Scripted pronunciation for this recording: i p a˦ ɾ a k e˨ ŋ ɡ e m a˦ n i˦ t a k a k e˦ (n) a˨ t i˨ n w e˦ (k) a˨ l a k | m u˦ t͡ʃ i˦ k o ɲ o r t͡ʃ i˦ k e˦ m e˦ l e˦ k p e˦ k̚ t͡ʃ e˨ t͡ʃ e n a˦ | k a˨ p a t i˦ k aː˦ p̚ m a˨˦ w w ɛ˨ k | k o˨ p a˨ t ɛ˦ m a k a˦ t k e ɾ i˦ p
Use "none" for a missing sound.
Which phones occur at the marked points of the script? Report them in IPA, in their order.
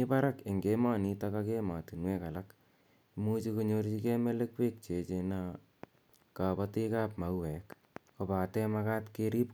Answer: m, k

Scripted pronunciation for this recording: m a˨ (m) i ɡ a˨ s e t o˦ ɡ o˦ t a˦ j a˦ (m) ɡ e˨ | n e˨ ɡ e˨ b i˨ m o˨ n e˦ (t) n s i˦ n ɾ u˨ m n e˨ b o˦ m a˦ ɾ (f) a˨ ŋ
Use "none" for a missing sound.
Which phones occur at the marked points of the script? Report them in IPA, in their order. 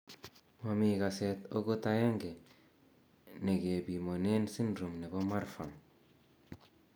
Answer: m, ŋ, none, f

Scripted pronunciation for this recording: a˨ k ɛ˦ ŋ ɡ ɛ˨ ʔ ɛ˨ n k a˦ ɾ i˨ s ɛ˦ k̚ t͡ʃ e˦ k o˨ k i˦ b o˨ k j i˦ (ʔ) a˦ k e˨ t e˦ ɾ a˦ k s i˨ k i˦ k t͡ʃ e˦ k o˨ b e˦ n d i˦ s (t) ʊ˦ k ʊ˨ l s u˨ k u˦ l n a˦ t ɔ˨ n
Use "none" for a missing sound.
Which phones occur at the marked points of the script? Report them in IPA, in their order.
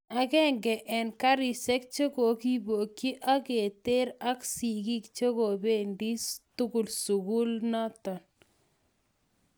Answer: ʔ, t

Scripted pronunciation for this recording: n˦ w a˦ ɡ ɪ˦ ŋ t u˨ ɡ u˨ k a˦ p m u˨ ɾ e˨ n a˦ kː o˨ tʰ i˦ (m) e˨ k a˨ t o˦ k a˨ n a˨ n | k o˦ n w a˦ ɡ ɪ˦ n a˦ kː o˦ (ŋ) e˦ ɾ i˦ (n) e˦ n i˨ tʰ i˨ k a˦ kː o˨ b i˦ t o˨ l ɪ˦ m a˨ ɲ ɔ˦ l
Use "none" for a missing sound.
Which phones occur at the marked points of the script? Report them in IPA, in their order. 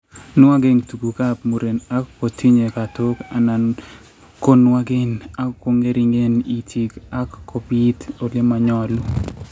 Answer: ɲ, ŋ, ŋ

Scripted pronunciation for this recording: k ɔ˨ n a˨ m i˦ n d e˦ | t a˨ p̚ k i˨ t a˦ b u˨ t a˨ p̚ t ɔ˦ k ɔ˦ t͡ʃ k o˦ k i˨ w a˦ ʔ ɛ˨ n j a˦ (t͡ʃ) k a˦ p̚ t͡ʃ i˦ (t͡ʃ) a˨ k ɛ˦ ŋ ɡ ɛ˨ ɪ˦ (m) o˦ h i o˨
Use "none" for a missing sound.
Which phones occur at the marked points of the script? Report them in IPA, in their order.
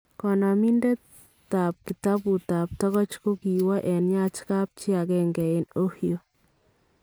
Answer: t͡ʃ, none, n

